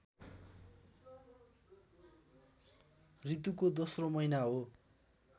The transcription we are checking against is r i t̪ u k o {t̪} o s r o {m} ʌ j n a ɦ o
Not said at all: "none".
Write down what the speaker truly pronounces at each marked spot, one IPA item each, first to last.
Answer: d̪, m

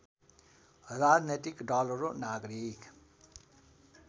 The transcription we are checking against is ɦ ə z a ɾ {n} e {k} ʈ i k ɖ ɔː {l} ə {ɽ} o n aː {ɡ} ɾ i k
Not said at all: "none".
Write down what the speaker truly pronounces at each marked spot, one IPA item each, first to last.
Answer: n, none, l, ɾ, ɡ

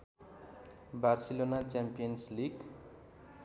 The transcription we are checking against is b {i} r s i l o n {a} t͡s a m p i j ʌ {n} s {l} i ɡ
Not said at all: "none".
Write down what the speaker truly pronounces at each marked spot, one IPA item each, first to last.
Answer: a, a, n, l

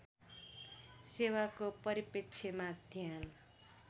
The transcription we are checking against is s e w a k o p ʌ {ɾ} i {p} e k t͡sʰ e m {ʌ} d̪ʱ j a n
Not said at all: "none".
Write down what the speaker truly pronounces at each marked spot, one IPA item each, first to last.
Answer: ɾ, p, a

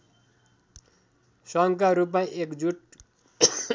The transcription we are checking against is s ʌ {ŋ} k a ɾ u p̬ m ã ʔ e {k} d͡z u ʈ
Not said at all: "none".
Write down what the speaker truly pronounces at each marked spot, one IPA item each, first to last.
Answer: ŋ, k

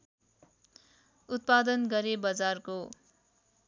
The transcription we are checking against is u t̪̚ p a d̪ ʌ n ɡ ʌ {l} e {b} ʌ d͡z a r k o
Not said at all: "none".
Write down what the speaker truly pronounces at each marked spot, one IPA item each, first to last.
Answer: ɾ, b

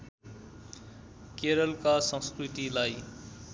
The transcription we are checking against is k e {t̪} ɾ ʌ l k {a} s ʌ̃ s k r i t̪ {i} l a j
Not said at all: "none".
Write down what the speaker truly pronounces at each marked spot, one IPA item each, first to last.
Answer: none, a, i

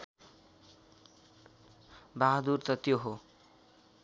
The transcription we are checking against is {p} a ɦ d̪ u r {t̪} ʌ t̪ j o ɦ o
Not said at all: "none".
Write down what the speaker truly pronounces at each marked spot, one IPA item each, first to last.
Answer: b, t̪

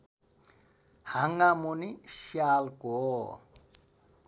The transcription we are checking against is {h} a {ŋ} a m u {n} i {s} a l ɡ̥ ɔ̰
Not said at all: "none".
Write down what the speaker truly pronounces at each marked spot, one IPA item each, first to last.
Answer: h, ŋ, n, ʃ

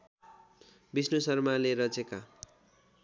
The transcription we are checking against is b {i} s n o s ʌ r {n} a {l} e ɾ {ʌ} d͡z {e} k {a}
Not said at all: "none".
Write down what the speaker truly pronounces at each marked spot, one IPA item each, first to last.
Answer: i, m, l, ʌ, e, a

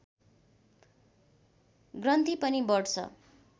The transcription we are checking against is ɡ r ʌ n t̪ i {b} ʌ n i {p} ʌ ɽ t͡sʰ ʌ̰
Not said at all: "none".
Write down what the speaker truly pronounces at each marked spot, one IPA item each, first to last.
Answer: p, b

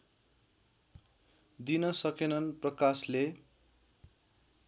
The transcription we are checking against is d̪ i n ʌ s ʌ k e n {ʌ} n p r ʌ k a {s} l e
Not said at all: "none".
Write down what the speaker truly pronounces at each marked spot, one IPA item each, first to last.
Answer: ʌ, s

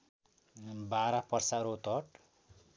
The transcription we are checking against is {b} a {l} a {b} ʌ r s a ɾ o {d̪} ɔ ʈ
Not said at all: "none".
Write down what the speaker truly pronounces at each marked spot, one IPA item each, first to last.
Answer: b, ɾ, p, t̪

